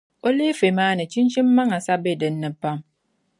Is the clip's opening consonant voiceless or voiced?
voiced